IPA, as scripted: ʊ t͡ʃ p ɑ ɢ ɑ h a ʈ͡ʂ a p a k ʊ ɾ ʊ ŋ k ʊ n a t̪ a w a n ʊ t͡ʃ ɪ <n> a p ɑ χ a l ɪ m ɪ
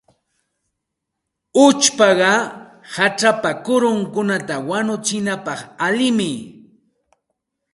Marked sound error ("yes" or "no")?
no